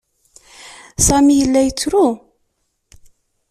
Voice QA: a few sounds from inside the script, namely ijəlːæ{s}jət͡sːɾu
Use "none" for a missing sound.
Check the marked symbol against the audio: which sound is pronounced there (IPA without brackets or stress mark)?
none